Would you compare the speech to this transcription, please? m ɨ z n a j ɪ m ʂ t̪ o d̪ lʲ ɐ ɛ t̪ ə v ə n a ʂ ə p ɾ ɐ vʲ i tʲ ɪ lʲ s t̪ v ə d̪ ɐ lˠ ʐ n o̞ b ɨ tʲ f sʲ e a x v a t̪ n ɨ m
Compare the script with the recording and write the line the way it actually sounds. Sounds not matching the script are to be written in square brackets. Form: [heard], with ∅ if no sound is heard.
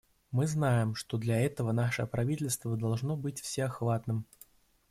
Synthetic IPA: m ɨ z n a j ɪ m ʂ t̪ o d̪ lʲ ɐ ɛ t̪ ə v ə n a ʂ ə p ɾ ɐ vʲ i tʲ ɪ lʲ s t̪ v ə d̪ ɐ lˠ ʐ n o̞ b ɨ tʲ f sʲ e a x v a t̪ n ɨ m